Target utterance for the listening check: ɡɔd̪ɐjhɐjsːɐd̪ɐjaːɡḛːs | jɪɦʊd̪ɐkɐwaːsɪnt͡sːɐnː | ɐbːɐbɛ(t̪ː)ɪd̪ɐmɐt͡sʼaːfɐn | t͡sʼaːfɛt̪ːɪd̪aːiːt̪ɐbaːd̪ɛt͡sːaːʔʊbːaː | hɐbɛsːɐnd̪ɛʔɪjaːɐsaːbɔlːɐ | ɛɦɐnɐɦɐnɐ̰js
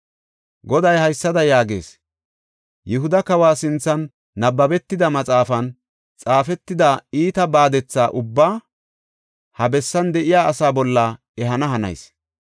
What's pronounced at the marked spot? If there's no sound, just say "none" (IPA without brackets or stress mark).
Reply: t̪ː